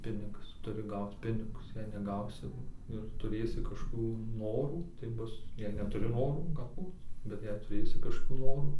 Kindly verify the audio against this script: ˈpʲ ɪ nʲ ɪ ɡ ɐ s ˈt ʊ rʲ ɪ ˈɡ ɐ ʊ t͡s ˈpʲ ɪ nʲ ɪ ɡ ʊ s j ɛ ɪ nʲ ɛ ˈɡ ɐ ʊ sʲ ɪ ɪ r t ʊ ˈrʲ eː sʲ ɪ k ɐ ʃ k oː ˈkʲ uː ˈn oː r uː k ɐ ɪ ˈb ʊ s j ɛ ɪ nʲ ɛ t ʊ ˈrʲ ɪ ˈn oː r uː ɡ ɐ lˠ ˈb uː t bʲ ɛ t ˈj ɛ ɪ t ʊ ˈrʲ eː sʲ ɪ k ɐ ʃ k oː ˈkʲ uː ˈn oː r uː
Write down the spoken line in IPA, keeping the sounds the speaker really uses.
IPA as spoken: ˈpʲ ɪ nʲ ɪ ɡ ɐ s ˈt ʊ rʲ ɪ ˈɡ ɐ ʊ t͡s ˈpʲ ɪ nʲ ɪ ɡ ʊ s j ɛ ɪ nʲ ɛ ˈɡ ɐ ʊ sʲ ɪ ɪ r t ʊ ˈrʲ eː sʲ ɪ k ɐ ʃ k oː ˈkʲ uː ˈn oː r uː t ɐ ɪ ˈb ʊ s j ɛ ɪ nʲ ɛ t ʊ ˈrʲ ɪ ˈn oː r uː ɡ ɐ lˠ ˈb uː t bʲ ɛ t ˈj ɛ ɪ t ʊ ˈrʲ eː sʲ ɪ k ɐ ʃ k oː ˈkʲ uː ˈn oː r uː